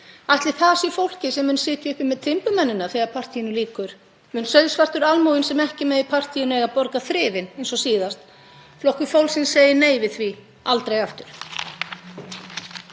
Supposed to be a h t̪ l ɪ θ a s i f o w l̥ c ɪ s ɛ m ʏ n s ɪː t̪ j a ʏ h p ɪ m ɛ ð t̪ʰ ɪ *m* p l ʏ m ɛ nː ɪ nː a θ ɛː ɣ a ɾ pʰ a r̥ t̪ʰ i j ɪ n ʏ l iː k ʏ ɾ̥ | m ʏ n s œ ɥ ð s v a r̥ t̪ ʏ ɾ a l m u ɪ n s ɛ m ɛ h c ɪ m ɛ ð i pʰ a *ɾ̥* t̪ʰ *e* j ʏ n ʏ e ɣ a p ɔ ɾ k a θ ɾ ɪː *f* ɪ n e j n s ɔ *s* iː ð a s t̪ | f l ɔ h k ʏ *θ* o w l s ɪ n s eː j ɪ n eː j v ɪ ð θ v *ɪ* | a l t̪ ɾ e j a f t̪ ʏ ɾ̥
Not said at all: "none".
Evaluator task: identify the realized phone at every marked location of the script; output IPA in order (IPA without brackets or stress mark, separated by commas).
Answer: m, r̥, i, v, s, f, i